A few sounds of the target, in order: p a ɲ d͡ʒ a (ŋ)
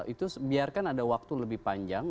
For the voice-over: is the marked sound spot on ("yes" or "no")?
yes